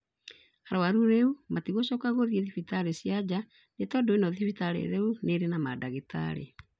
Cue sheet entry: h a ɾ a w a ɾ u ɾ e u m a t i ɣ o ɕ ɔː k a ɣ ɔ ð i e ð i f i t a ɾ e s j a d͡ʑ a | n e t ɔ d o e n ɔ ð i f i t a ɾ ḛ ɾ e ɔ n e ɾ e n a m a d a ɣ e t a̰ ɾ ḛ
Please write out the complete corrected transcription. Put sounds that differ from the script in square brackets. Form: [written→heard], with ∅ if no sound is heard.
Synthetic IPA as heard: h a ɾ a w a ɾ u ɾ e u m a t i ɣ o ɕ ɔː k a ɣ [ɔ→o] ð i e ð i f i t a ɾ e s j a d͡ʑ a | n e t ɔ d o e n ɔ ð i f i t a ɾ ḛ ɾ e [ɔ→u] n e ɾ e n a m a d a ɣ e t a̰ ɾ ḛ